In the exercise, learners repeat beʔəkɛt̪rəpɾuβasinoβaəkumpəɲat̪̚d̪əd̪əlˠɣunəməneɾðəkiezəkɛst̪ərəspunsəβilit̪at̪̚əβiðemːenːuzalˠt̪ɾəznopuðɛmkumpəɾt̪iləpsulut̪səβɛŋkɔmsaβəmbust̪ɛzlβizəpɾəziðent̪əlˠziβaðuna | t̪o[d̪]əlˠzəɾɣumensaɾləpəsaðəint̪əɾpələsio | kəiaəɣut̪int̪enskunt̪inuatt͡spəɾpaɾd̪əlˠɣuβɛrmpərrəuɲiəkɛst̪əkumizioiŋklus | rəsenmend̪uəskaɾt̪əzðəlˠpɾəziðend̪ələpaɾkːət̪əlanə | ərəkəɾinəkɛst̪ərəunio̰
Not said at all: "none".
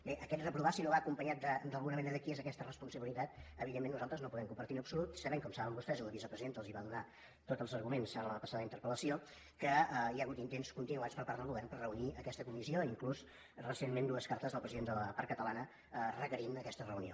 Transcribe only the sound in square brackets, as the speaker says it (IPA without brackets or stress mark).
t̪